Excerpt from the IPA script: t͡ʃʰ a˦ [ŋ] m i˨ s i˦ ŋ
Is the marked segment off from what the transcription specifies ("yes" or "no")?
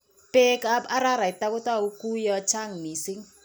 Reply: no